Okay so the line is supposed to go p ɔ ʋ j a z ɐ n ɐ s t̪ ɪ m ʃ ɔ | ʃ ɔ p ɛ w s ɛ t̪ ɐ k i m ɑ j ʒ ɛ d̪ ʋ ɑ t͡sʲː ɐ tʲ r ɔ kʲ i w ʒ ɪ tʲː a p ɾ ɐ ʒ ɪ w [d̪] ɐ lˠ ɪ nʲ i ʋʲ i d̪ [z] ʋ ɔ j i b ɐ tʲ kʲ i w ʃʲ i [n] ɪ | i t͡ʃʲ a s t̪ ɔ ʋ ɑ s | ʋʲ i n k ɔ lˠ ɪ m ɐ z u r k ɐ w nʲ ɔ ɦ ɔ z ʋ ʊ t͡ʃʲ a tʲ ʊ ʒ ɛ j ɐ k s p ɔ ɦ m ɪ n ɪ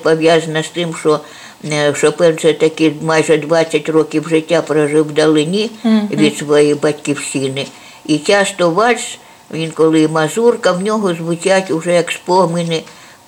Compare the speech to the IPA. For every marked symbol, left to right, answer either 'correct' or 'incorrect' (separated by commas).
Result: correct, incorrect, correct